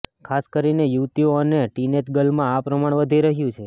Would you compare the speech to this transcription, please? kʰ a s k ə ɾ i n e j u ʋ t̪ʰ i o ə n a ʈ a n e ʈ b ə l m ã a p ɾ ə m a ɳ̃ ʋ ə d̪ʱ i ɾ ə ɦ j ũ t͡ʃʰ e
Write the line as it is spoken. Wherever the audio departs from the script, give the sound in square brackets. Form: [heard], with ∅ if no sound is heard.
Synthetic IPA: kʰ a s k ə ɾ i n e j u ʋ [t̪] i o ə n [e] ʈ [i] n e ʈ [ɡ] ə l m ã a p ɾ ə m a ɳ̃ ʋ ə d̪ʱ i ɾ ə ɦ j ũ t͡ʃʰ e